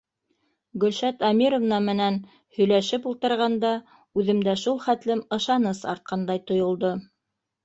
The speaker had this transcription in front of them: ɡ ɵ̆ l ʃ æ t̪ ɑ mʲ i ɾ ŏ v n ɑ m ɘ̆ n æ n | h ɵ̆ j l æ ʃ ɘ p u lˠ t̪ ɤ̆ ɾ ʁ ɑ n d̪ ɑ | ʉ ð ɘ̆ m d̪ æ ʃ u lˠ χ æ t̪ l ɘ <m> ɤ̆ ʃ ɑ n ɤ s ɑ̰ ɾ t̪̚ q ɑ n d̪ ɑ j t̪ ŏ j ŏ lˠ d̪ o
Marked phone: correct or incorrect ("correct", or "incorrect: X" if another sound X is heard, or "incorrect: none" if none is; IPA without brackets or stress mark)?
correct